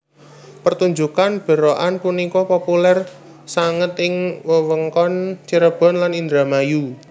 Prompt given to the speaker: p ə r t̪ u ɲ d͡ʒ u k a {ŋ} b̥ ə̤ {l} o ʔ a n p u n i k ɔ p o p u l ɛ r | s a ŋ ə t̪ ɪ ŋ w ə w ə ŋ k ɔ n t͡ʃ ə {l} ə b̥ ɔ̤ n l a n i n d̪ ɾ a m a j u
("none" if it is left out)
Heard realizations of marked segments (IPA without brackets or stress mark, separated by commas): n, ɾ, ɾ